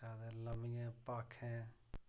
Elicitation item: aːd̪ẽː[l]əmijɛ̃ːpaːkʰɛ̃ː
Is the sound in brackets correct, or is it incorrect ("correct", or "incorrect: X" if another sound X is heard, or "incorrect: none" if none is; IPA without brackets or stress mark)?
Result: correct